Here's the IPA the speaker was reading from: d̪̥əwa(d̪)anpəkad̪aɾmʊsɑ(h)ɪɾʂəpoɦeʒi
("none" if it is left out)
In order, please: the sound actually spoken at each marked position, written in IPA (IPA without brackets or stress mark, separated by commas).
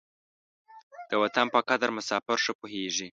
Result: t̪, f